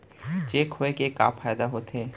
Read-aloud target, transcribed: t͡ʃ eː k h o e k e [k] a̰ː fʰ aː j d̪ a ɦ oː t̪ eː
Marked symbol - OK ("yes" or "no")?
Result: yes